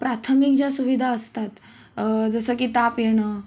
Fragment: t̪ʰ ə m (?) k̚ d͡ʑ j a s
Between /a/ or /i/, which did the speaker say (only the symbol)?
i